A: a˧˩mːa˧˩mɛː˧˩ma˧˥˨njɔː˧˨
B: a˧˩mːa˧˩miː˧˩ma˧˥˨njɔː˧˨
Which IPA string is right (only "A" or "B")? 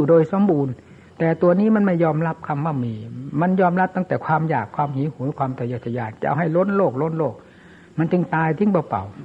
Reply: B